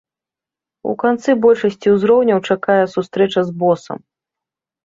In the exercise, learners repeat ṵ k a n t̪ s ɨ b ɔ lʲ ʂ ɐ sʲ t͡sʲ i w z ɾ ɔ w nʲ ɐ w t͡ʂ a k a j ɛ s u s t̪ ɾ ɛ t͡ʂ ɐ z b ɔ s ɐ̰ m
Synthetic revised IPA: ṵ k a n t̪ s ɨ b ɔ lʲ ʂ ɐ sʲ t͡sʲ i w z ɾ ɔ w nʲ ɐ w t͡ʂ a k a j ɛ s u s t̪ ɾ ɛ t͡ʂ ɐ z b ɔ s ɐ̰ m